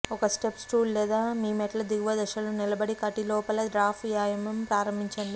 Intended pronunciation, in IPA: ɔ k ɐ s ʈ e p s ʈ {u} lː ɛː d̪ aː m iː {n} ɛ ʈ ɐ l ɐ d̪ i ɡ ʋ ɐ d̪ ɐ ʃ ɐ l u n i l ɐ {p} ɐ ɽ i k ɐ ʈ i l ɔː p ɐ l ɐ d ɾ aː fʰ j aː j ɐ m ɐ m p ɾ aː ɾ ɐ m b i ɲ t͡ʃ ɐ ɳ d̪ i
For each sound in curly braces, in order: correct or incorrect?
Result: incorrect, incorrect, incorrect

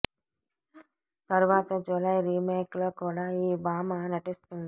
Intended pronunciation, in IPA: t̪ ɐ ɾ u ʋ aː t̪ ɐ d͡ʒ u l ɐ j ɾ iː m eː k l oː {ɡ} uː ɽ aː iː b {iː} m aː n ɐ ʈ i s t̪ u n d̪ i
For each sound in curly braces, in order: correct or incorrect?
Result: incorrect, incorrect

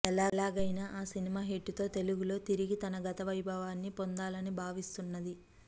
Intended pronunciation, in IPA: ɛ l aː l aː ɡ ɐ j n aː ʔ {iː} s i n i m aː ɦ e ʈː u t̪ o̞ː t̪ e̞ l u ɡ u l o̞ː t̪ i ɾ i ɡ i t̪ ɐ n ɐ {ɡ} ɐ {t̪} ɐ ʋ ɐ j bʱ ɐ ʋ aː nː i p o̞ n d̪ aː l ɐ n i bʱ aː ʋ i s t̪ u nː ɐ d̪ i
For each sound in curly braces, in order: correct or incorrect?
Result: incorrect, correct, correct

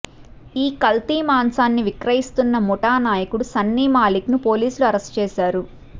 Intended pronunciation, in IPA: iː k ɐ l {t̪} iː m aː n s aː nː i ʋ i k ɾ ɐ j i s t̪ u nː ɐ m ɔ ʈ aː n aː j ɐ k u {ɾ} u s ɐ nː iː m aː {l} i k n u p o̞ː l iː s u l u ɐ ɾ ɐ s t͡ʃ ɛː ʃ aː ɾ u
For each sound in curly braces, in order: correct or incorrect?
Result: correct, incorrect, correct

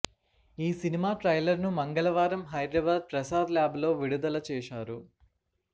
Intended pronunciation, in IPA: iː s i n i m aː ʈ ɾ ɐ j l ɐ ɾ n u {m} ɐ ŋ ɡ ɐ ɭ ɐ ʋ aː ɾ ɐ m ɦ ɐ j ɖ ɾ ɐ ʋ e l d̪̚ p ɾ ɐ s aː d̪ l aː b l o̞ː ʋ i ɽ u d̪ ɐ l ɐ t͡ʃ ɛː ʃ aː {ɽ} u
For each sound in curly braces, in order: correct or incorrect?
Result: correct, incorrect

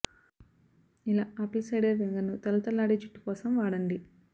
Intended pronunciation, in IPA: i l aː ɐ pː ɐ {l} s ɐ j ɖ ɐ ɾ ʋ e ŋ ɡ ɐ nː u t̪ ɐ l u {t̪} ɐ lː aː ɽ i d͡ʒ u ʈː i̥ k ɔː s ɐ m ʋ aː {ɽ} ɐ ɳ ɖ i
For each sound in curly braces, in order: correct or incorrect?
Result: correct, correct, correct

